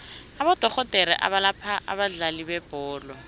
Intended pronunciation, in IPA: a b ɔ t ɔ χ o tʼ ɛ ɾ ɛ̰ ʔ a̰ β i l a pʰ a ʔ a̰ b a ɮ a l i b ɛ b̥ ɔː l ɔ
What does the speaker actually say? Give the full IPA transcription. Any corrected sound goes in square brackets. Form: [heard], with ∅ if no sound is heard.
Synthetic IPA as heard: a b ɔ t ɔ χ [ɔ] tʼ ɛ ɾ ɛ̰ ʔ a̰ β [a] l a pʰ a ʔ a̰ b a ɮ a l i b ɛ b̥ ɔː l ɔ